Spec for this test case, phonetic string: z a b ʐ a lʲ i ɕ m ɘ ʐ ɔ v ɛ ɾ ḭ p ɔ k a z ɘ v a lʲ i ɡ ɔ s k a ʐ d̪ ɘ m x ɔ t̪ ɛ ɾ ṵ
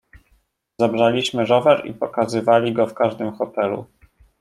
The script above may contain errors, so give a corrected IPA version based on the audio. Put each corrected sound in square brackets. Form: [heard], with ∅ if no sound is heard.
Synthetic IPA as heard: z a b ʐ a lʲ i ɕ m ɘ ʐ ɔ v ɛ ɾ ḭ p ɔ k a z ɘ v a lʲ i ɡ ɔ [f] k a ʐ d̪ ɘ m x ɔ t̪ ɛ [l] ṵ